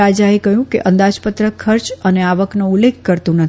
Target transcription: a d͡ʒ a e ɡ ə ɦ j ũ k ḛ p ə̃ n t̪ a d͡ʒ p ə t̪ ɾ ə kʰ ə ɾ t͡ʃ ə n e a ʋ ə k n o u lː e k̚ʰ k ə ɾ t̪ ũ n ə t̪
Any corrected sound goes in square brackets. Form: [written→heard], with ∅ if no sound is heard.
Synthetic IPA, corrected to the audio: a d͡ʒ a e [ɡ→k] ə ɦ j ũ k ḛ [p→ʔ] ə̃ n [t̪→d̪] a d͡ʒ p ə t̪ ɾ ə kʰ ə ɾ t͡ʃ ə n e a ʋ ə k n o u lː e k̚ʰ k ə ɾ t̪ ũ n ə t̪